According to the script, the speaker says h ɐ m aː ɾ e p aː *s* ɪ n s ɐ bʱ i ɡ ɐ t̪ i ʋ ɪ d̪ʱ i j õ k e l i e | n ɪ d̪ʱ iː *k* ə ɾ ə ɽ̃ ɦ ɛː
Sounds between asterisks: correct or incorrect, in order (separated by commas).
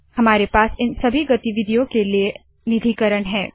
correct, correct